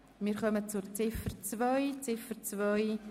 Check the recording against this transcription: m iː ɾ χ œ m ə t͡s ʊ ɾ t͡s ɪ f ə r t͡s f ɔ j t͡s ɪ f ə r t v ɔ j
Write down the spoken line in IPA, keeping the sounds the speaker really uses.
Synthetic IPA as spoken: m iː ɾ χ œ m ə t͡s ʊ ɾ t͡s ɪ f ə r t͡s v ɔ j t͡s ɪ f ə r t͡s v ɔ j